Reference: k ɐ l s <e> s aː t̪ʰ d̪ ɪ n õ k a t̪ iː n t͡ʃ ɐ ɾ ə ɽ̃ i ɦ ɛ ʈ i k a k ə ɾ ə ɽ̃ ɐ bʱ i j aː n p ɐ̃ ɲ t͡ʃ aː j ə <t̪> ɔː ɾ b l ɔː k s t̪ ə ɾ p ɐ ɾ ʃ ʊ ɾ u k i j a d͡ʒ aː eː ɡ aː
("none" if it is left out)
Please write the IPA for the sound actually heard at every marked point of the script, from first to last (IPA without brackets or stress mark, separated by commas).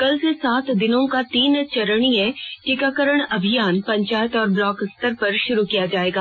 e, t̪